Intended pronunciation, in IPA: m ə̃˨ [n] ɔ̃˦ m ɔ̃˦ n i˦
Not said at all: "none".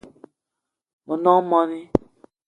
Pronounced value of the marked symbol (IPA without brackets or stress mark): n